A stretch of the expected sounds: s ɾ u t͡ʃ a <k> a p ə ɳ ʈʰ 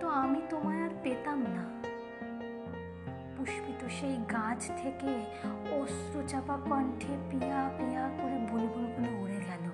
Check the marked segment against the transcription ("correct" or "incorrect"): incorrect